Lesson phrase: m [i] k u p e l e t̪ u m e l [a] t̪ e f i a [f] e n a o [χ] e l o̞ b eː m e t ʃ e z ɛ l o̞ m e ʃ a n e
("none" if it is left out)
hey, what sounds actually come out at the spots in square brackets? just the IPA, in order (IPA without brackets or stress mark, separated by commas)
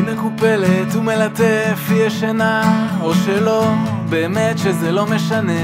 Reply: e, a, ʃ, ʃ